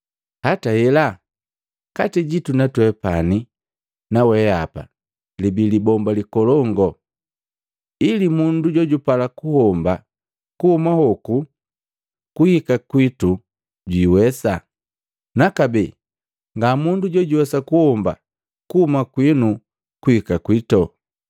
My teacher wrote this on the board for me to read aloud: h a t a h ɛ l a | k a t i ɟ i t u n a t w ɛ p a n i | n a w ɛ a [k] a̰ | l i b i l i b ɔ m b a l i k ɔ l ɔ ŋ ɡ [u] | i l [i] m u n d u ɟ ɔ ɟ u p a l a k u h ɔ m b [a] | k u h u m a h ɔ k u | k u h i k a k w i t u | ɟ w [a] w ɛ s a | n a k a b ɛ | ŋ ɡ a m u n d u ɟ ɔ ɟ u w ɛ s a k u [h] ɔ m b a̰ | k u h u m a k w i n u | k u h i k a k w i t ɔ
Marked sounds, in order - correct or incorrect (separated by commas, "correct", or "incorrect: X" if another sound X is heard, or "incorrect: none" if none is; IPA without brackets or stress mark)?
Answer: incorrect: p, incorrect: ɔ, correct, correct, incorrect: i, correct